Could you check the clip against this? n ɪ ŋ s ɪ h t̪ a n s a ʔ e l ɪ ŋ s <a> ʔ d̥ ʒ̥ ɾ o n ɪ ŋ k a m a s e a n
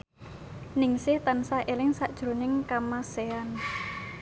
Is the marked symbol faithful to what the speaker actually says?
yes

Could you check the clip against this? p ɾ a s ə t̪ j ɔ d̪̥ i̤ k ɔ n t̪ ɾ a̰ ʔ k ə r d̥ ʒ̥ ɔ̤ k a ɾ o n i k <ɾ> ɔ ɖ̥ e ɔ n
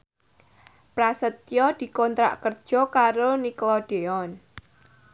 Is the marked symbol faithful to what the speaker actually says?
no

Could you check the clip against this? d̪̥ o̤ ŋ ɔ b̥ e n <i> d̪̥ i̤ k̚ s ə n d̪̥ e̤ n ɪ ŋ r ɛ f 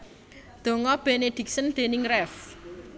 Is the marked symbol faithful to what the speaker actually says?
no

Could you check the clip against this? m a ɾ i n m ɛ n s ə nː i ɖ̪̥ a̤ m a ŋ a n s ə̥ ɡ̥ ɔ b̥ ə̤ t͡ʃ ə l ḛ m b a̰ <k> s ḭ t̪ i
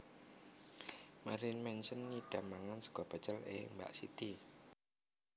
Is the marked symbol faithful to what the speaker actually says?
no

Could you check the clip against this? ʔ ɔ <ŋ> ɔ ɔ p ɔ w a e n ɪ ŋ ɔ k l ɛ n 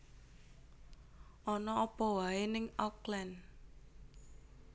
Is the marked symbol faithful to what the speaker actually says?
no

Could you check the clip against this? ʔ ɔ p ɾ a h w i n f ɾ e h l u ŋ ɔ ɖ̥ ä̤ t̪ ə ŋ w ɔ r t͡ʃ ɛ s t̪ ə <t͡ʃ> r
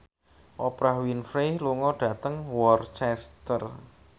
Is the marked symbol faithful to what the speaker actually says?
no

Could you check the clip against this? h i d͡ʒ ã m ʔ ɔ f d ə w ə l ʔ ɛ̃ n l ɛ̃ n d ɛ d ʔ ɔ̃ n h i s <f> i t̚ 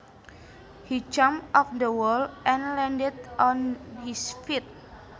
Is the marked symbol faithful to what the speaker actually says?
yes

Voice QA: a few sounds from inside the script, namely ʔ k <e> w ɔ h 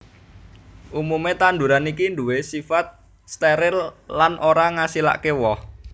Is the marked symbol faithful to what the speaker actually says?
yes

